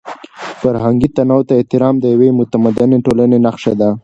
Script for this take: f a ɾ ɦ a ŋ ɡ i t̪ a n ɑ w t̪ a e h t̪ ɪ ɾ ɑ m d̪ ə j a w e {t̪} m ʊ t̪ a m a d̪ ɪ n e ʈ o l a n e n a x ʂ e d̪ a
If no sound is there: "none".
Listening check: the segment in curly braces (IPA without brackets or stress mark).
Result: none